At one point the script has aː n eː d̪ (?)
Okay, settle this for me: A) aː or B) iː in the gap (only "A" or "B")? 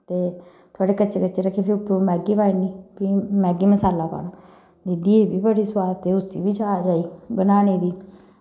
B